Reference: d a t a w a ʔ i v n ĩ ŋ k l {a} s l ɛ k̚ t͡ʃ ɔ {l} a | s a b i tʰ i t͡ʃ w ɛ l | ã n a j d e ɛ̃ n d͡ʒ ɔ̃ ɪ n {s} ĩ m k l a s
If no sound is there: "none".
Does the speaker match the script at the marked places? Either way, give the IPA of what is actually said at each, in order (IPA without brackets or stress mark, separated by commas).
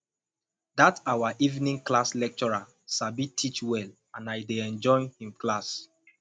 a, ɹ, h